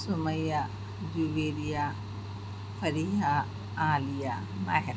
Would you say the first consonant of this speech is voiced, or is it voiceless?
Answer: voiceless